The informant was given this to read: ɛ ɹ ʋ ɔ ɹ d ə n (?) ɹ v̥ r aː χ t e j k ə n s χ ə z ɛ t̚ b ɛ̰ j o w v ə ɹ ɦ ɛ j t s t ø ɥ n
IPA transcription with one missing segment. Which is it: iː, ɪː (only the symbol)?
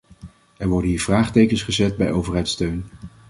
iː